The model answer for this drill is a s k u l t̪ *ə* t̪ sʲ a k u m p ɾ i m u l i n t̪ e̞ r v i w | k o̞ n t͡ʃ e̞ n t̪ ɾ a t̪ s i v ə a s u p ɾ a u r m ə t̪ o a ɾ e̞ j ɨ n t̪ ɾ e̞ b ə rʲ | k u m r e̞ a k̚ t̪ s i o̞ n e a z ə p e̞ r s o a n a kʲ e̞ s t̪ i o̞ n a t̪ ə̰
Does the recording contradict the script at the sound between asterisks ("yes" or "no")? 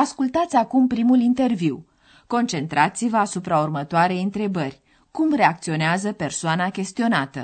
yes